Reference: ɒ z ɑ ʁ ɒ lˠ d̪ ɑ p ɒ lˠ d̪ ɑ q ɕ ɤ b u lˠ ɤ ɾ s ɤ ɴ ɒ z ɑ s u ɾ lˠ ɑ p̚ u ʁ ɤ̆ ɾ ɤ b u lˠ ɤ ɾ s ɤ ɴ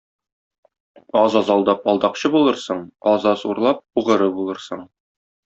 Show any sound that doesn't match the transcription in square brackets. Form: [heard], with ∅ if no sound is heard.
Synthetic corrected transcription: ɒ z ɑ [z] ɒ lˠ d̪ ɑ p ɒ lˠ d̪ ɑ q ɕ ɤ b u lˠ ɤ ɾ s ɤ ɴ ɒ z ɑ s u ɾ lˠ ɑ p̚ u ʁ ɤ̆ ɾ ɤ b u lˠ ɤ ɾ s ɤ ɴ